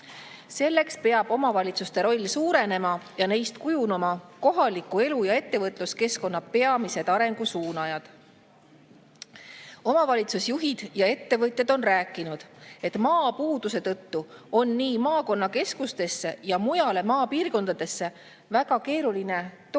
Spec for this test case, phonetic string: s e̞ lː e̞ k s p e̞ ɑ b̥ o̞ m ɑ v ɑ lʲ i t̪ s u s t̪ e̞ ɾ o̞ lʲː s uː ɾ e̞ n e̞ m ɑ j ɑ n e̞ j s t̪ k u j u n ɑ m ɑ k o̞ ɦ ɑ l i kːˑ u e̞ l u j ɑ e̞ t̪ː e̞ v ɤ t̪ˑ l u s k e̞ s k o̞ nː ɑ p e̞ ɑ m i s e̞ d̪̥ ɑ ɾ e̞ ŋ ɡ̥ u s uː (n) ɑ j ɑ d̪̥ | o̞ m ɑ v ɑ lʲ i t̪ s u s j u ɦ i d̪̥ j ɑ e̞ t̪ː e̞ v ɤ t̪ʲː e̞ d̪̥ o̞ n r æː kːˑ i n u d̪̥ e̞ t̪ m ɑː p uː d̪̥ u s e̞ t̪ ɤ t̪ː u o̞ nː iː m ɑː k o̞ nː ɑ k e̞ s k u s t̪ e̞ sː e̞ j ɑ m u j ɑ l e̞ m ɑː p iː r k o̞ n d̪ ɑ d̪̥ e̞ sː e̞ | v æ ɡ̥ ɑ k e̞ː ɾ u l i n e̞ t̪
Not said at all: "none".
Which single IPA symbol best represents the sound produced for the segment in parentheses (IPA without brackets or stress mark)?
n